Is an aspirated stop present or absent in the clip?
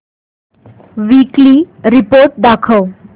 present